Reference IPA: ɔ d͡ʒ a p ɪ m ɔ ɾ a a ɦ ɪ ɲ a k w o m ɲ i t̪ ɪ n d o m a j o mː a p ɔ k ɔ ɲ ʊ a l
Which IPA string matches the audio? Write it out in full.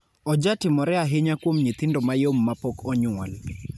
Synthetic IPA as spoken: ɔ d͡ʒ a t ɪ m ɔ ɾ ɛ a ɦ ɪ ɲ a k w o m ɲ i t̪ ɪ n d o m a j o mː a p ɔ k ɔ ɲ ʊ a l

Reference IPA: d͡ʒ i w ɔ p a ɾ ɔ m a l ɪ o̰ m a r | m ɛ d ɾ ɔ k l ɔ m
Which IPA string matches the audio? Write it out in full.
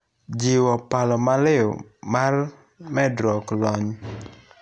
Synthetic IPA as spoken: d͡ʒ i w ɔ p a l ɔ m a l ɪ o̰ m a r | m ɛ d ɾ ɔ k l ɔ ɲ

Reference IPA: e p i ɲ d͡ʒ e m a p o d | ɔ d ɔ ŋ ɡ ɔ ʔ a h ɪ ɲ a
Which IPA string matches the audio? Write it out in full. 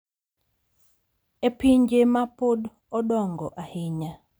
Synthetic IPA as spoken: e p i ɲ d͡ʒ e m a p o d | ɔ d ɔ ŋ ɡ ɔ ʔ a h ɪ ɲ a

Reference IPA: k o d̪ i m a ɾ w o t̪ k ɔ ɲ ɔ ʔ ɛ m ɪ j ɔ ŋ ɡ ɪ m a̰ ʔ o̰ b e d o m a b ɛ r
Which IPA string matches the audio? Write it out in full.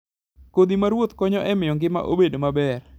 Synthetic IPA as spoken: k o d̪ i m a ɾ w o t̪ k ɔ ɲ ɔ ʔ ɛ m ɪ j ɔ ŋ ɡ ɪ m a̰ ʔ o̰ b e d o m a b ɛ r

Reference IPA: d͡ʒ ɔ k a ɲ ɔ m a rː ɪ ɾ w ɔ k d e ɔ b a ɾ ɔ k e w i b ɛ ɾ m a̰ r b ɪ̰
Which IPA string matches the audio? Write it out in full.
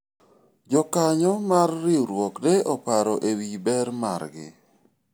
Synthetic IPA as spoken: d͡ʒ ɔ k a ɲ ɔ m a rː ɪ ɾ w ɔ k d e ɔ p a ɾ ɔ ʔ e w i b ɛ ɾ m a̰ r ɡ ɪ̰

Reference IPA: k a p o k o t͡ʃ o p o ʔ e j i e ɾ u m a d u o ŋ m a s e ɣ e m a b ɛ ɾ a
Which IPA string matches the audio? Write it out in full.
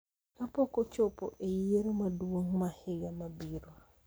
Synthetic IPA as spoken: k a p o k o t͡ʃ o p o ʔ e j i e ɾ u m a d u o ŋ m a h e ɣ a m a b i ɾ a

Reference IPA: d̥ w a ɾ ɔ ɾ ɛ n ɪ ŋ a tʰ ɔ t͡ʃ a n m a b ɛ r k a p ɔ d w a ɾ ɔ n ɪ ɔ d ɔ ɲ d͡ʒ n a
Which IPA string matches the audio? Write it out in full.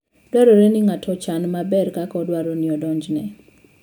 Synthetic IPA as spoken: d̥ w a ɾ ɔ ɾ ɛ n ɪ ŋ a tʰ ɔ t͡ʃ a n m a b ɛ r k a k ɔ d w a ɾ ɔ n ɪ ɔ d ɔ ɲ d͡ʒ n ɛ

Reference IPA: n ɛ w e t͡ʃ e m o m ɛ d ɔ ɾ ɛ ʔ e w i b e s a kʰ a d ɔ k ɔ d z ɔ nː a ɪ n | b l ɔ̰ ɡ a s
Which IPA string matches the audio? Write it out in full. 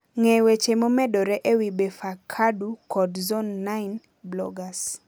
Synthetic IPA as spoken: ŋ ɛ w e t͡ʃ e m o m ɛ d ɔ ɾ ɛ ʔ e w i b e f a kʰ a d u k ɔ d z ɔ nː a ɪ n | b l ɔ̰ ɡ a s

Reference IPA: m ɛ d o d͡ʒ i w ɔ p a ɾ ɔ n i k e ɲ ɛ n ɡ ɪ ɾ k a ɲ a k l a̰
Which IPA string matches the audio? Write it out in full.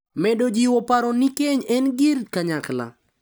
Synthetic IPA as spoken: m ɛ d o d͡ʒ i w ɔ p a ɾ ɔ n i k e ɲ ɛ n ɡ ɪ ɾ k a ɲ a k l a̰

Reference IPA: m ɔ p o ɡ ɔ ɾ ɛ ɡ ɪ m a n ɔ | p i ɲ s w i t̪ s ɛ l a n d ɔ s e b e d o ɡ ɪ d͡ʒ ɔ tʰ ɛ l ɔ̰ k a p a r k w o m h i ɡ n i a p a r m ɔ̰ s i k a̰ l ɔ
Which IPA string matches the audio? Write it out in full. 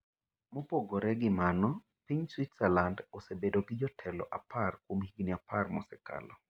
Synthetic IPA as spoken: m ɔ p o ɡ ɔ ɾ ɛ ɡ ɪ m a n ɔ | p i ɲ s w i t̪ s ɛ l a n d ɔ s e b e d o ɡ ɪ d͡ʒ ɔ tʰ ɛ l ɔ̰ ʔ a p a r k w o m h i ɡ n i a p a r m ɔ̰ s ɛ k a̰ l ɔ

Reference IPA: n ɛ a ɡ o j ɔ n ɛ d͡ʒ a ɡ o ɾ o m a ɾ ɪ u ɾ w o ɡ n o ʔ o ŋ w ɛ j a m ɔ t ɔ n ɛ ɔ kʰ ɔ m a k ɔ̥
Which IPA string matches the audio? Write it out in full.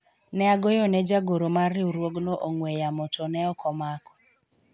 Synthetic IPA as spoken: n ɛ a ɡ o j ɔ n ɛ d͡ʒ a ɡ o ɾ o m a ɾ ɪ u ɾ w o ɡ n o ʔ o ŋ w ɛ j a m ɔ t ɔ n ɛ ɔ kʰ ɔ m a k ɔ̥

